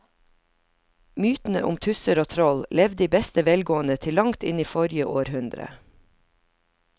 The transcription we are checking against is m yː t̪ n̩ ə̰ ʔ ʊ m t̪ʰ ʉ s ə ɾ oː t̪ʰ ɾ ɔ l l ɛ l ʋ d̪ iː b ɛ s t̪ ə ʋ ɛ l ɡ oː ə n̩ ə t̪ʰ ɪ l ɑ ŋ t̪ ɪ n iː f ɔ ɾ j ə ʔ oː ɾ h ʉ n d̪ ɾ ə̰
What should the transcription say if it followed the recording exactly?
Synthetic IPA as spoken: m yː t̪ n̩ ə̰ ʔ ʊ m t̪ʰ ʉ s ə ɾ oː t̪ʰ ɾ ɔ l l ɛ ʋ d̪ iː b ɛ s t̪ ə ʋ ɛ l ɡ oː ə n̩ ə t̪ʰ ɪ l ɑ ŋ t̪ ɪ n iː f ɔ ɾ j ə ʔ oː ɾ h ʉ n d̪ ɾ ə̰